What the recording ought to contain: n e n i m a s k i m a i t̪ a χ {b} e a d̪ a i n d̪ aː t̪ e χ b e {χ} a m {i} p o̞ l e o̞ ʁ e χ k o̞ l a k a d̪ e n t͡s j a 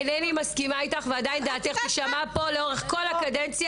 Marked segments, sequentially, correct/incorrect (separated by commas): incorrect, incorrect, incorrect